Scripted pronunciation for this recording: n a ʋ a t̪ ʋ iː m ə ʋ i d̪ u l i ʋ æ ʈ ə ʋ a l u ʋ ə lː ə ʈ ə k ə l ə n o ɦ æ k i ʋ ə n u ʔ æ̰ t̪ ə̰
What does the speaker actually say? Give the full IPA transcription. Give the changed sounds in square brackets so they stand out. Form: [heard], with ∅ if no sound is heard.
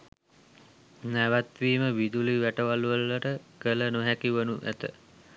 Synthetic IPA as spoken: n [æ] ʋ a t̪ ʋ iː m ə ʋ i d̪ u l i ʋ æ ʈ ə ʋ a l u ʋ ə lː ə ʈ ə k ə l ə n o ɦ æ k i ʋ ə n u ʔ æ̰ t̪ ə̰